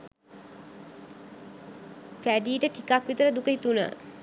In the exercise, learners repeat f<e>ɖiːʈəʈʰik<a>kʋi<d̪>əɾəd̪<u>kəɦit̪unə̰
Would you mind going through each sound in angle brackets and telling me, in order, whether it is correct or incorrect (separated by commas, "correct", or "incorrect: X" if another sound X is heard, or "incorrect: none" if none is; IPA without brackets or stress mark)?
incorrect: æ, correct, incorrect: t̪, correct